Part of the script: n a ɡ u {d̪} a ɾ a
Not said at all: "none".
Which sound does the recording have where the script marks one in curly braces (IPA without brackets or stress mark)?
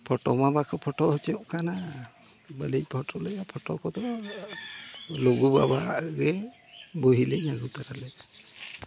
t̪